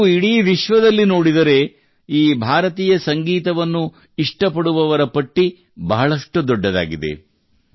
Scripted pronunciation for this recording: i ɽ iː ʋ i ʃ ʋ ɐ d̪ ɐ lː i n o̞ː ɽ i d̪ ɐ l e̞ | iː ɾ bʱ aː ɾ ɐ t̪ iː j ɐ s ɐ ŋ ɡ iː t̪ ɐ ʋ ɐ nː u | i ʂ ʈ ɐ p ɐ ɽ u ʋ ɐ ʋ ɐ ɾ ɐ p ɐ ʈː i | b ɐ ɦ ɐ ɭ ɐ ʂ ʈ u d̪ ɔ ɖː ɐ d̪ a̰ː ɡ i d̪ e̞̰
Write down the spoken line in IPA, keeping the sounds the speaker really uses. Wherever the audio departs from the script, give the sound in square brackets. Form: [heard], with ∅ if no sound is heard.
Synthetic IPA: i ɽ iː ʋ i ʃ ʋ ɐ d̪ ɐ lː i n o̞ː ɽ i d̪ ɐ [ɾ] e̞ | iː [∅] bʱ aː ɾ ɐ t̪ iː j ɐ s ɐ ŋ ɡ iː t̪ ɐ ʋ ɐ nː u | i ʂ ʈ ɐ p ɐ ɽ u ʋ ɐ ʋ ɐ ɾ ɐ p ɐ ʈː i | b ɐ ɦ ɐ ɭ ɐ ʂ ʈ u d̪ ɔ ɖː ɐ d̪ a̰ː ɡ i d̪ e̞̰